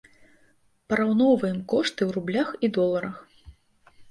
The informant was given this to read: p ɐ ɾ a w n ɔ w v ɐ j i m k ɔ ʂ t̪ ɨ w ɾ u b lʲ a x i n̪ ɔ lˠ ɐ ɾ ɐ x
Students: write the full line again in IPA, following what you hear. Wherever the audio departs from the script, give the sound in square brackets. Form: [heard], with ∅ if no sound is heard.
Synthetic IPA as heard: p ɐ ɾ a w n ɔ w v ɐ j [ɛ] m k ɔ ʂ t̪ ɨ w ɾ u b lʲ a x i [d̪] ɔ lˠ ɐ ɾ ɐ x